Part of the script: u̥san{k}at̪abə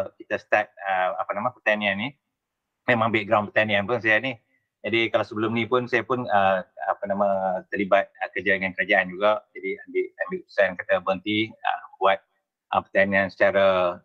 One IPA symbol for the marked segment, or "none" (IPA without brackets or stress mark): k